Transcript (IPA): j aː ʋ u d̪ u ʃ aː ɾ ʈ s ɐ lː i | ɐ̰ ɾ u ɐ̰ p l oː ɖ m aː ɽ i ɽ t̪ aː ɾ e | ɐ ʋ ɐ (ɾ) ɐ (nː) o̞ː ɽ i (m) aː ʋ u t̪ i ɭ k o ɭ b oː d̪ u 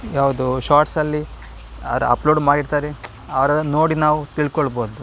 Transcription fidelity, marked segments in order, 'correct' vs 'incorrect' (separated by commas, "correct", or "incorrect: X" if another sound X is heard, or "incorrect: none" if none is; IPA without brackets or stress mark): correct, incorrect: n, incorrect: n